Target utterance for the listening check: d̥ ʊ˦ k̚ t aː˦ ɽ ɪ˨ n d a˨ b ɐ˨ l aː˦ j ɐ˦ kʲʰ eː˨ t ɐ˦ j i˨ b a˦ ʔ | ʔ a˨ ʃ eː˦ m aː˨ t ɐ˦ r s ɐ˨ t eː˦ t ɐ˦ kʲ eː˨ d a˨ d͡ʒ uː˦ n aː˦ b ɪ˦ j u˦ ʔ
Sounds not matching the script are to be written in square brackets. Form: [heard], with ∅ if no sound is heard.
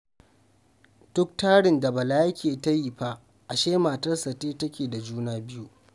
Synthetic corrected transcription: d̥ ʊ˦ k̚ t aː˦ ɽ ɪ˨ n d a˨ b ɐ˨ l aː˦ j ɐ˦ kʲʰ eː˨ t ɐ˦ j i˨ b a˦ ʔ | ʔ a˨ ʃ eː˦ m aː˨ t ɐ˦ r s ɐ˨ t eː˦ t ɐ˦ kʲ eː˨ d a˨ d͡ʒ uː˦ n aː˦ b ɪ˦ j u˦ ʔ